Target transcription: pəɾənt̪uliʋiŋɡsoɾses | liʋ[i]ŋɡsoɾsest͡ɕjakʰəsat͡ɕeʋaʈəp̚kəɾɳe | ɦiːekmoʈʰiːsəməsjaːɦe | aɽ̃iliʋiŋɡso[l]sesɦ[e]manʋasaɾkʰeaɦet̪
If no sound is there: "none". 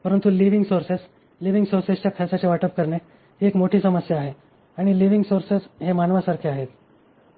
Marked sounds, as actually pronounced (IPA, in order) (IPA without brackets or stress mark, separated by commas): i, ɾ, e